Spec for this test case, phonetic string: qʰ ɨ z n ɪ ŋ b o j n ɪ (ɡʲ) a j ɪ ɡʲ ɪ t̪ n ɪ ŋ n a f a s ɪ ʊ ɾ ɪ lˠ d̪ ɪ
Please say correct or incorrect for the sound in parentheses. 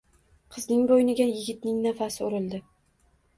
correct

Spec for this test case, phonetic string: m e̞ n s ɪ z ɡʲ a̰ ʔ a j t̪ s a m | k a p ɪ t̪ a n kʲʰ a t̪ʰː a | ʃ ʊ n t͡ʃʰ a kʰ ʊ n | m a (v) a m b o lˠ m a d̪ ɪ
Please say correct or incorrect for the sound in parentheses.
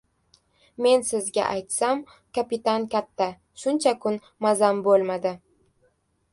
incorrect: z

